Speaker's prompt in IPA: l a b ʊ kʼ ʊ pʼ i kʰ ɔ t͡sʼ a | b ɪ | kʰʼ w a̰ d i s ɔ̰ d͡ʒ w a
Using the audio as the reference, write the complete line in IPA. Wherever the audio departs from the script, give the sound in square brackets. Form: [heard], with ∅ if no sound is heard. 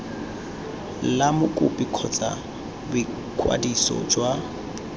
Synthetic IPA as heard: l a [m] ʊ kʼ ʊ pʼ i kʰ ɔ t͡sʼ a | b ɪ | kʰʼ w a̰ d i s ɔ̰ d͡ʒ w a